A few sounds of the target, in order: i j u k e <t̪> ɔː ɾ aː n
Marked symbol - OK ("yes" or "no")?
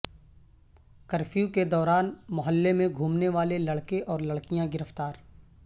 no